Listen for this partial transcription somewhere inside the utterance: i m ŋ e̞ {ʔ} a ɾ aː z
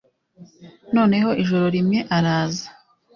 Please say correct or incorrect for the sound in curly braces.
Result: correct